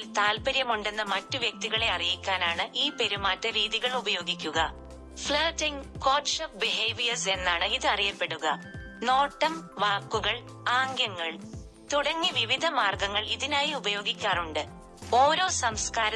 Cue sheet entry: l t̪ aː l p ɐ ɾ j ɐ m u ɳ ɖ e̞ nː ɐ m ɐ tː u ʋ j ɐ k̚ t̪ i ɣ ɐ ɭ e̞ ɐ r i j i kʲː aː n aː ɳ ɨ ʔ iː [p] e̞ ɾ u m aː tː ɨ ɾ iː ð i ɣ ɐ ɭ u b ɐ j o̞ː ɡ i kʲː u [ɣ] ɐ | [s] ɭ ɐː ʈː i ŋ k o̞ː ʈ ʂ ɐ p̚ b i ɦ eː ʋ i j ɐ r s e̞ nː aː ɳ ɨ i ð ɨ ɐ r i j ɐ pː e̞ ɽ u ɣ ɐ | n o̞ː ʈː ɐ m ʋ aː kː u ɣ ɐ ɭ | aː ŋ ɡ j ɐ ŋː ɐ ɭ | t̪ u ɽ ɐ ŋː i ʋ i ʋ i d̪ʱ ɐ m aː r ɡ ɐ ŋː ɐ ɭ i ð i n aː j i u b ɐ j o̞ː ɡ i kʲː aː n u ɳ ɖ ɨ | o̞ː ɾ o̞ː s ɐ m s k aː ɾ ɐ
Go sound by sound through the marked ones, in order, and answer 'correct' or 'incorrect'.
correct, correct, incorrect: f

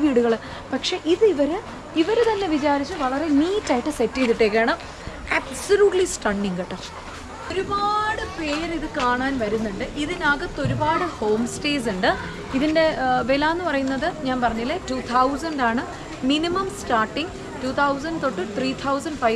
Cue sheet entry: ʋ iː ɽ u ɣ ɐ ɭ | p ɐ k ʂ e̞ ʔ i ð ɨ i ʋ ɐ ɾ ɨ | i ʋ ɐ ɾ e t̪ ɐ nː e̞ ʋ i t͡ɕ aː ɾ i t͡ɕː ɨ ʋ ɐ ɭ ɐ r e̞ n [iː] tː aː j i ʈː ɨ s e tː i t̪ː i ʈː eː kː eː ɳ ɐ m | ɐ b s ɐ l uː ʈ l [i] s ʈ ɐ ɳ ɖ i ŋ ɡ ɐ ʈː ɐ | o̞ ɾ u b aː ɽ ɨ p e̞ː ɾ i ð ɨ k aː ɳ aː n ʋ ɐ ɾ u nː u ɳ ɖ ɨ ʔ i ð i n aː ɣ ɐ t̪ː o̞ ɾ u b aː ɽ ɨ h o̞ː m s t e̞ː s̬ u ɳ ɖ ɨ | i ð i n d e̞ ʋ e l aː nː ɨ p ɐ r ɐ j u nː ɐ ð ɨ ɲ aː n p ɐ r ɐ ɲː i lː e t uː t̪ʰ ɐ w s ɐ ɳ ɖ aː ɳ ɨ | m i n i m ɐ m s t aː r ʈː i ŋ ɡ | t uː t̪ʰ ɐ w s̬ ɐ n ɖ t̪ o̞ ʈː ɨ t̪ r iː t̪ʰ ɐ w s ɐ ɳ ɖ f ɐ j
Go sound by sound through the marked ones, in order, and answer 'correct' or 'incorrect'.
correct, correct

